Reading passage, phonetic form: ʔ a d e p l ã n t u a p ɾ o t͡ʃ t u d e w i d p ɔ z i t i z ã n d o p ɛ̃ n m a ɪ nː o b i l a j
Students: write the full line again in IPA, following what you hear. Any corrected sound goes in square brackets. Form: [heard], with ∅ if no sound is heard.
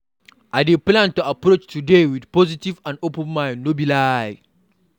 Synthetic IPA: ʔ a d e p l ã n t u a p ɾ o t͡ʃ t u d e w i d p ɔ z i t i [v] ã n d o p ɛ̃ n m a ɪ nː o b i l a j